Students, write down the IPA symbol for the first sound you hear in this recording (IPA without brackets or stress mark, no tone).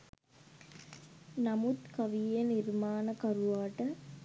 n